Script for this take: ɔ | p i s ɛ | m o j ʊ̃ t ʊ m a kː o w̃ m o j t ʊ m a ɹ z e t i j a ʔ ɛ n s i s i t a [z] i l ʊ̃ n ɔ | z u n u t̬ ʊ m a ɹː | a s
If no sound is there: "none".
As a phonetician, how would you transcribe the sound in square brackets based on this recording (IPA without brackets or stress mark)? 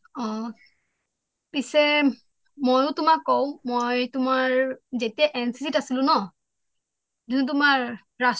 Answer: s